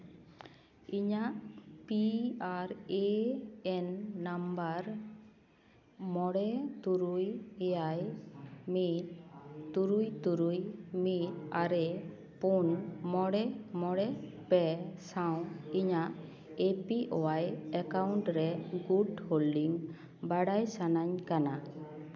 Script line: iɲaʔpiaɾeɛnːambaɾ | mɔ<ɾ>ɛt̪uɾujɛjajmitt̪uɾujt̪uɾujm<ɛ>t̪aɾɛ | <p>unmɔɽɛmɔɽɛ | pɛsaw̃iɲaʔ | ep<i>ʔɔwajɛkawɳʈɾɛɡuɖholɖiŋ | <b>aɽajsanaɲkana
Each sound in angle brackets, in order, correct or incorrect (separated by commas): incorrect, incorrect, correct, correct, correct